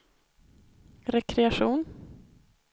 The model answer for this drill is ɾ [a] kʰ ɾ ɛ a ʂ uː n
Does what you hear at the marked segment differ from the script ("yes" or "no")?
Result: yes